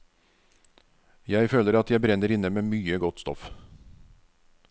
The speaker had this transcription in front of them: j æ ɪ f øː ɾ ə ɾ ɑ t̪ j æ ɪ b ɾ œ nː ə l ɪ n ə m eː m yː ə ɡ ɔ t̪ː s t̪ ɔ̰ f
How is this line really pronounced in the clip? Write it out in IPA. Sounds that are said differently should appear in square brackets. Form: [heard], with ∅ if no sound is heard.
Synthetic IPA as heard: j æ ɪ f øː [l] ə ɾ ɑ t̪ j æ ɪ b ɾ [ɛ] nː ə [ɾ] ɪ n ə m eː m yː ə ɡ ɔ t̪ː s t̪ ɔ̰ f

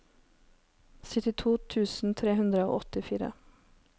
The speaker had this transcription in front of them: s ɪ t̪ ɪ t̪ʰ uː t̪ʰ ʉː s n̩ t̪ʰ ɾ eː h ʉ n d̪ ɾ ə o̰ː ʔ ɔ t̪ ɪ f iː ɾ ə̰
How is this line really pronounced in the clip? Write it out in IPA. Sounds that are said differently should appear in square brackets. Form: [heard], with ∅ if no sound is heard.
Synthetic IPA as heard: s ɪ t̪ ɪ t̪ʰ uː t̪ʰ ʉː s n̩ t̪ʰ ɾ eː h ʉ n d̪ ɾ ə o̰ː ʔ ɔ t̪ ɪ f iː ɾ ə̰

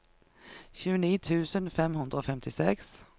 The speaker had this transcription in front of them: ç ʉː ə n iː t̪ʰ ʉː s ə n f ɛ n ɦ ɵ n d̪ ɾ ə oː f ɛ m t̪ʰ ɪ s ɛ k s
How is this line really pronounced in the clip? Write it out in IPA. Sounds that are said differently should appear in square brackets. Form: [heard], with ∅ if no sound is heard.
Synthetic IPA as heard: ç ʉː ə n iː t̪ʰ ʉː s ə n f ɛ [m] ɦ ɵ n d̪ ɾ ə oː f ɛ m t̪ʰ ɪ s ɛ k s

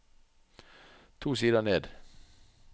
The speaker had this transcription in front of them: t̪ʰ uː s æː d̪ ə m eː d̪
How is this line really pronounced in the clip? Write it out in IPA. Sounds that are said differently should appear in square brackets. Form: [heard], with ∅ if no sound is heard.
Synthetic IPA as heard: t̪ʰ uː s [iː] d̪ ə [n] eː d̪

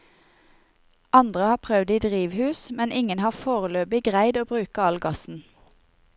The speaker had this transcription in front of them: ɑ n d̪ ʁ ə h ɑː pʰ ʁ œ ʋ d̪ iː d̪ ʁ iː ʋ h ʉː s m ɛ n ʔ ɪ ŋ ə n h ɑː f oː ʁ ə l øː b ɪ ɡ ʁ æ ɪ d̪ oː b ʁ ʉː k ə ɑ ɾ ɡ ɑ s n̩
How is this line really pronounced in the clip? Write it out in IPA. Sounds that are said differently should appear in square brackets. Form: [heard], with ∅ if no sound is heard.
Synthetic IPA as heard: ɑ n d̪ ʁ ə h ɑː pʰ ʁ œ ʋ d̪ iː d̪ ʁ iː ʋ h ʉː s m ɛ n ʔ ɪ ŋ ə n h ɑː f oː ʁ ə l øː b ɪ ɡ ʁ æ ɪ d̪ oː b ʁ ʉː k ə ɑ [l] ɡ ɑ s n̩

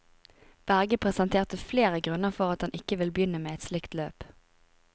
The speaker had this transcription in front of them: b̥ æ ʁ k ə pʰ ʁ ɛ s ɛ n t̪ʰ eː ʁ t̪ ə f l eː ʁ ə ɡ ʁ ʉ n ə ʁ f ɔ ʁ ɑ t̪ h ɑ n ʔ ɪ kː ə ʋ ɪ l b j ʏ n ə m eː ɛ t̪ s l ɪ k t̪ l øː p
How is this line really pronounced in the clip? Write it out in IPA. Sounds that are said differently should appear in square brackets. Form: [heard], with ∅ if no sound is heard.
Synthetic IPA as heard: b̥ æ ʁ [ɡ] ə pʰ ʁ ɛ s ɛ n t̪ʰ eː ʁ t̪ ə f l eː ʁ ə ɡ ʁ ʉ n ə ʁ f ɔ ʁ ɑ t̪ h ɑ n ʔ ɪ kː ə ʋ ɪ l b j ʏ n ə m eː ɛ t̪ s l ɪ k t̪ l øː p

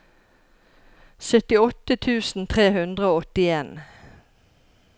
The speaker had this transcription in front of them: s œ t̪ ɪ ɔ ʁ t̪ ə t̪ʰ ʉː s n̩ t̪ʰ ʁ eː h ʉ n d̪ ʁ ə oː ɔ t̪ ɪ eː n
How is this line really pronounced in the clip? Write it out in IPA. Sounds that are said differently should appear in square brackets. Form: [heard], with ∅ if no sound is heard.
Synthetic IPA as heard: s œ t̪ ɪ ɔ [∅] t̪ ə t̪ʰ ʉː s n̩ t̪ʰ ʁ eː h ʉ n d̪ ʁ ə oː ɔ t̪ ɪ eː n

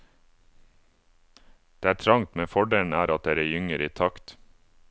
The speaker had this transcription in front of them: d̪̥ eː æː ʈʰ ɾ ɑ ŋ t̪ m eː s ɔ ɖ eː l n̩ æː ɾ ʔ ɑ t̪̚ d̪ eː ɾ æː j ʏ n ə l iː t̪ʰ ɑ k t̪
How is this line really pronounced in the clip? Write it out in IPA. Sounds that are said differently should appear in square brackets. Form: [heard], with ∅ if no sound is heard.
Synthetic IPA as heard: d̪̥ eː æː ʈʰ ɾ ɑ ŋ t̪ m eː [f] ɔ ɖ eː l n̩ æː ɾ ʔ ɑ t̪̚ d̪ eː ɾ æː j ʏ [ŋ] ə [ɾ] iː t̪ʰ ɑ k t̪

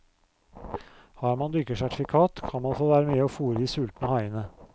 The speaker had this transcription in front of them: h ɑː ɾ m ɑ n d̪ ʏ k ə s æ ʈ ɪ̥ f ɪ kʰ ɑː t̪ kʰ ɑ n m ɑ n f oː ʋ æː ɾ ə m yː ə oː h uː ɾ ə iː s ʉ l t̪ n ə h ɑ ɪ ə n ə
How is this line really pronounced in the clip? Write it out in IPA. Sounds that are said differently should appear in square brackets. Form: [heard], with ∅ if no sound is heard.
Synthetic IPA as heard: h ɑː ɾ m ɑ n d̪ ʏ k ə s æ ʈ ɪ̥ f ɪ kʰ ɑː t̪ kʰ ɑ n m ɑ n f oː ʋ æː ɾ ə m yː ə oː [f] uː ɾ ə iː s ʉ l t̪ n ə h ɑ ɪ ə n ə

